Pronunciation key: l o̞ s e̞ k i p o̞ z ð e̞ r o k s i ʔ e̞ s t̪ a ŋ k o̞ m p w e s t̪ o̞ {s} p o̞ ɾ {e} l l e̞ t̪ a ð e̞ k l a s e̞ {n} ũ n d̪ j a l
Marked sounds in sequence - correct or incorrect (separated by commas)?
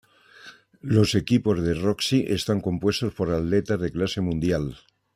correct, incorrect, incorrect